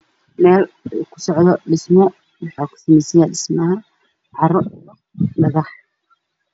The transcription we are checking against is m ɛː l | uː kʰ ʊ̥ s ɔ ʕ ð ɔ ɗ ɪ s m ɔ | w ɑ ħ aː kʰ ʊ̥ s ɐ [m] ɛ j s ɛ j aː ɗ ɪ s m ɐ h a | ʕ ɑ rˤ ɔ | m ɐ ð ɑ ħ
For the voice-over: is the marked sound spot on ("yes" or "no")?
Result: yes